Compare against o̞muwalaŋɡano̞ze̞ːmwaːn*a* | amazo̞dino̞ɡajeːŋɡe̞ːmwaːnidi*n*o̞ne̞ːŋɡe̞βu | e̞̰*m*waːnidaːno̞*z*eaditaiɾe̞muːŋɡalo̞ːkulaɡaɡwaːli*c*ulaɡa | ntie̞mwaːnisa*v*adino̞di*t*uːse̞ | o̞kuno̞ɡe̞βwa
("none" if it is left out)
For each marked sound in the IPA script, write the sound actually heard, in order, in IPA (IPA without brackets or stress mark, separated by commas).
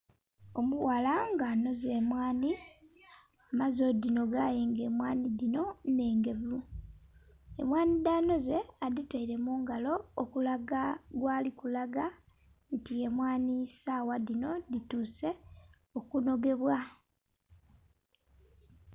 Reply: i, n, m, z, k, w, t